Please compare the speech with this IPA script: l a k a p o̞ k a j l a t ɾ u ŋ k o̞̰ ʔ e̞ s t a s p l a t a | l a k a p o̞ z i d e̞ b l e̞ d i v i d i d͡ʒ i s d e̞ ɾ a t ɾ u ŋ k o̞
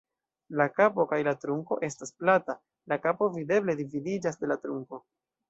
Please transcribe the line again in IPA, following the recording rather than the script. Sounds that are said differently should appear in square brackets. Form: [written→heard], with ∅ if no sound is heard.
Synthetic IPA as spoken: l a k a p o̞ k a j l a t ɾ u ŋ k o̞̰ ʔ e̞ s t a s p l a t a | l a k a p o̞ [z→v] i d e̞ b l e̞ d i v i d i d͡ʒ [i→a] s d e̞ [ɾ→l] a t ɾ u ŋ k o̞